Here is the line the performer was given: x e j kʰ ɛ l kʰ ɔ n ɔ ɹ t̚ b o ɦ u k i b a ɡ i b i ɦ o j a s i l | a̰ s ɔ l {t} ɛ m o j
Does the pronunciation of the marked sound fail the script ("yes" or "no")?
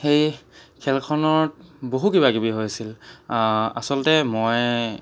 no